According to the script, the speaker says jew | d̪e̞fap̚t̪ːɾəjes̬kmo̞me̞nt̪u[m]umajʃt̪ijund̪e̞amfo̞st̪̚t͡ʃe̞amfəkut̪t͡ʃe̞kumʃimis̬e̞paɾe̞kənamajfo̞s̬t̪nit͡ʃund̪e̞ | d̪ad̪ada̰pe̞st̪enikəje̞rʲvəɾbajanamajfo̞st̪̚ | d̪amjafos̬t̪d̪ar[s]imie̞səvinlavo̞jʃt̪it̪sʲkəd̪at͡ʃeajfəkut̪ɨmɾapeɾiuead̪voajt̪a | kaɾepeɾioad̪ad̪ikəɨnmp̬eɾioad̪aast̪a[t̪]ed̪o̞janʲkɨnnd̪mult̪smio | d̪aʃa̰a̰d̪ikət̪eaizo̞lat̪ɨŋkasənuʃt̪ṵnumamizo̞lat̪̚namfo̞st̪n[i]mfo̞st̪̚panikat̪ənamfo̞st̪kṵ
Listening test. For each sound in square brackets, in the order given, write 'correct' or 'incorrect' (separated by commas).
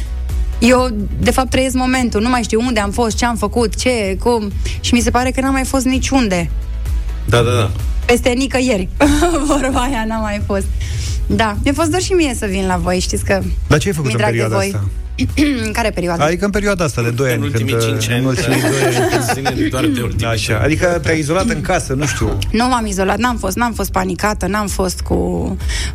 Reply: incorrect, incorrect, incorrect, incorrect